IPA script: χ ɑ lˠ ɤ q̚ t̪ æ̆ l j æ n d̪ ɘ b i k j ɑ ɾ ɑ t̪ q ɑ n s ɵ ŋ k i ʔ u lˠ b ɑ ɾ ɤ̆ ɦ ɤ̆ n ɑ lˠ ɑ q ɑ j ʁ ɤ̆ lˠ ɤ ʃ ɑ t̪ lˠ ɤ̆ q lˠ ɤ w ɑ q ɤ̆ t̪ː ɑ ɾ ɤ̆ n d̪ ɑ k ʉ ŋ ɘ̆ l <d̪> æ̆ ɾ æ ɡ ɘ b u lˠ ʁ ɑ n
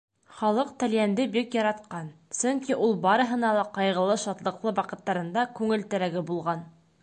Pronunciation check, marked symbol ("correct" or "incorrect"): incorrect